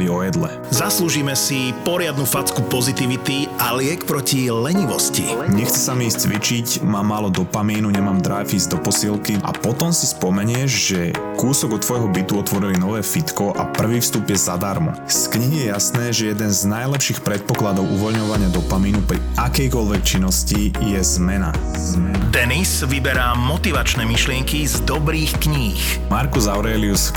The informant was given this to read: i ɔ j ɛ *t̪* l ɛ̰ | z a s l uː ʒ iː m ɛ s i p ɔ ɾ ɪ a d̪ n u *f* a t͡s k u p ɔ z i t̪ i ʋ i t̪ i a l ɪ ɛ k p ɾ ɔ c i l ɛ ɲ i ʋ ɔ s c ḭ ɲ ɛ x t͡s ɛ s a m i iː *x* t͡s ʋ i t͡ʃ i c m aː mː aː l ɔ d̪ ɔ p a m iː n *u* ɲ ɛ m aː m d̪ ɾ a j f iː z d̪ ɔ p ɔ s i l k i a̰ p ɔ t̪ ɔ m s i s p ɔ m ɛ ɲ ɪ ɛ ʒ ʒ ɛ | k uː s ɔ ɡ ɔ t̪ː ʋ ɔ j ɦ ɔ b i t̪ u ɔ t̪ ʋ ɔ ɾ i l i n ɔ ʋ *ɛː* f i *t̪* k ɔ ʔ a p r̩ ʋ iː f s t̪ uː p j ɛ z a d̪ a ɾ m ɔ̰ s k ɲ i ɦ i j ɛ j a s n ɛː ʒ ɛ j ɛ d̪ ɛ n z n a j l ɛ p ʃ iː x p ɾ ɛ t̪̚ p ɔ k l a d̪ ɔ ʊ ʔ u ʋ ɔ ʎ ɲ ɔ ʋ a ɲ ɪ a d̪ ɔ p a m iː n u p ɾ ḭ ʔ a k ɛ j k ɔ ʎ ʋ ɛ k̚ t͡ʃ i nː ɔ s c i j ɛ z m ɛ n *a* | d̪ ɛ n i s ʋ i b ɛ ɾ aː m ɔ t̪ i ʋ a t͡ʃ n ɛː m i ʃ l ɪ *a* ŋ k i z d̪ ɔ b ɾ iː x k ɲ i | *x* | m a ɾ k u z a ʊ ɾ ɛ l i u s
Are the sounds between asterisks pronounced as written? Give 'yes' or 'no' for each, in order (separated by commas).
no, yes, no, yes, yes, yes, yes, no, yes